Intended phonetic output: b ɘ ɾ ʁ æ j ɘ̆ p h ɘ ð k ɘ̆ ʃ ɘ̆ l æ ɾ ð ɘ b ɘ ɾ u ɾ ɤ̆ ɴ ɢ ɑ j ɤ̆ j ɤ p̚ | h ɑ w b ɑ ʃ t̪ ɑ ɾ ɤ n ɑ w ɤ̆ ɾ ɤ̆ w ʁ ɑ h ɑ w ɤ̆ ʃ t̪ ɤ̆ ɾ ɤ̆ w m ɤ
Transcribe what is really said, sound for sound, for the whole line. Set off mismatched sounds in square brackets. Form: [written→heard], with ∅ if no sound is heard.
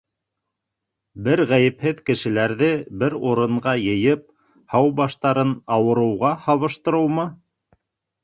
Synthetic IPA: b ɘ ɾ ʁ æ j ɘ̆ p h ɘ ð k ɘ̆ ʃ ɘ̆ l æ ɾ ð ɘ b ɘ ɾ u ɾ ɤ̆ ɴ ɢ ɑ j ɤ̆ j ɤ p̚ | h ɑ w b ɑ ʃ t̪ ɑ ɾ ɤ n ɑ w ɤ̆ ɾ ɤ̆ w ʁ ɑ h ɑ [w→β] ɤ̆ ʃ t̪ ɤ̆ ɾ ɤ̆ w m ɤ